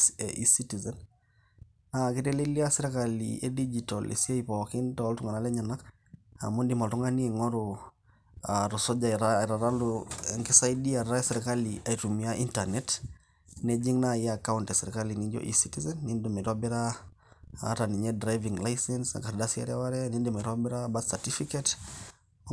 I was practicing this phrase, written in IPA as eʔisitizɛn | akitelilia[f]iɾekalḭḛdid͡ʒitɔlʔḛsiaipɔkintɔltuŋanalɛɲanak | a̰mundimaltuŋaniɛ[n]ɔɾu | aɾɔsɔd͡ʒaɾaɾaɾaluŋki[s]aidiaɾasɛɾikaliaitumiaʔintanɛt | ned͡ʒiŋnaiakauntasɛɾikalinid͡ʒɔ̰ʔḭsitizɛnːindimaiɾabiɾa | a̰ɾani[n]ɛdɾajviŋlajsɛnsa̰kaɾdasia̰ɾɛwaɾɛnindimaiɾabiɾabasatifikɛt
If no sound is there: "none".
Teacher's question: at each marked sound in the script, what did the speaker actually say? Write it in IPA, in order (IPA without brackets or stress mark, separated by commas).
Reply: s, ŋ, s, ɲ